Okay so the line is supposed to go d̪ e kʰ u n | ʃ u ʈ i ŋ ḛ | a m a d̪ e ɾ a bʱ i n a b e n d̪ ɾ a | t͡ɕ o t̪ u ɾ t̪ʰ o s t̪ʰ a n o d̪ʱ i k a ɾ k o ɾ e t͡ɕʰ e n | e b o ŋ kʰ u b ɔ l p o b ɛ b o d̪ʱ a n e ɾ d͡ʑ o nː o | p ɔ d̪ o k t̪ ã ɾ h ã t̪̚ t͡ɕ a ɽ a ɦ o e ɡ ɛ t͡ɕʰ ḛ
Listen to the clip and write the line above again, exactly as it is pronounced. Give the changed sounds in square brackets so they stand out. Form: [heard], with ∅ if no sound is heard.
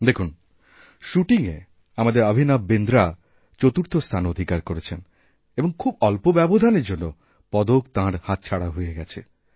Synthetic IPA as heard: d̪ e kʰ u n | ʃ u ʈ i ŋ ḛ | a m a d̪ e ɾ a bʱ i n a b e n d̪ ɾ a | t͡ɕ o t̪ u ɾ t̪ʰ o s t̪ʰ a n o d̪ʱ i k a ɾ k o ɾ e t͡ɕʰ e n | e b o ŋ kʰ u b ɔ l p o b ɛ b o d̪ʱ a n e ɾ d͡ʑ o nː o | p ɔ d̪ o k t̪ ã ɾ h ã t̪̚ [t͡ɕʰ] a ɽ a ɦ o e ɡ ɛ t͡ɕʰ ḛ

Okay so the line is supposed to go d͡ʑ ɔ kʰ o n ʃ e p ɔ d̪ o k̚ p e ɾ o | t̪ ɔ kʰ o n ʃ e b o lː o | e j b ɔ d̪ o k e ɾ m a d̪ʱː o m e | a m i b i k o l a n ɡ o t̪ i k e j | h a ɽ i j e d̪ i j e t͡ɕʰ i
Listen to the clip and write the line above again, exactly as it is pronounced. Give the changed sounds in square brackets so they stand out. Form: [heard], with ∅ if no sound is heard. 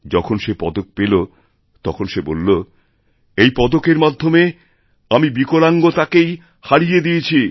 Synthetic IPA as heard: d͡ʑ ɔ kʰ o n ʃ e p ɔ d̪ o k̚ p e [l] o | t̪ ɔ kʰ o n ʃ e b o lː o | e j [p] ɔ d̪ o k e ɾ m a d̪ʱː o m e | a m i b i k o l a [ŋ] ɡ o t̪ [a] k e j | h a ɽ i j e d̪ i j e t͡ɕʰ i

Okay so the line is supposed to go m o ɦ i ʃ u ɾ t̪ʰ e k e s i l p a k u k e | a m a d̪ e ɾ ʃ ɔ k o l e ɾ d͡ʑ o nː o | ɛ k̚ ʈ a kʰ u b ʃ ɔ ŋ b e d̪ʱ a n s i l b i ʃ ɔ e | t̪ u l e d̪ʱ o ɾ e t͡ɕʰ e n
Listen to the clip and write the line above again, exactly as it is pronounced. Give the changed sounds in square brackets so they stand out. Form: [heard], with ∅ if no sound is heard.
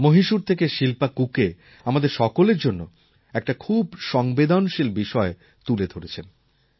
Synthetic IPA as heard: m o ɦ i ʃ u ɾ t̪ʰ e k e [ʃ] i l p a k u k e | a m a d̪ e ɾ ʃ ɔ k o l e ɾ d͡ʑ o nː o | ɛ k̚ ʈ a kʰ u b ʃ ɔ ŋ b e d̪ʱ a n [ʃ] i l b i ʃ ɔ e | t̪ u l e d̪ʱ o ɾ e t͡ɕʰ e n

